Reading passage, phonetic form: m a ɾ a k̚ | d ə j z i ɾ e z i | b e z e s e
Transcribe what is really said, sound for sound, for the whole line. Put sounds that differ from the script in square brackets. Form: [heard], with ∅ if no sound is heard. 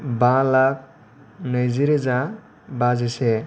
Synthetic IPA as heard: [b] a [l] a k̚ | [n] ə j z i ɾ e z [a] | b [a] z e s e